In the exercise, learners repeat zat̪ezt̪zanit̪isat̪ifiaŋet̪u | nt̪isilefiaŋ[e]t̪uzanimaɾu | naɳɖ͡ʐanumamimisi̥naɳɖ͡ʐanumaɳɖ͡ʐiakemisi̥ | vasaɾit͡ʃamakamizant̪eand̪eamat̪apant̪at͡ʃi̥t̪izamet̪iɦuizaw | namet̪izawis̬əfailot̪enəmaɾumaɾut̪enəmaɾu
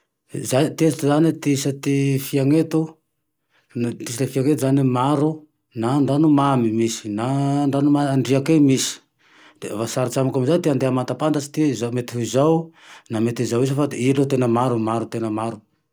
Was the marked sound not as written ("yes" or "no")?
no